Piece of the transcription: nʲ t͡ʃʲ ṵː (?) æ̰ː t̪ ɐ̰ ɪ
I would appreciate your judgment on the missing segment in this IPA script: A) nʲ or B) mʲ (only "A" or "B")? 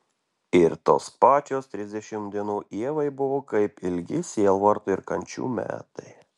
B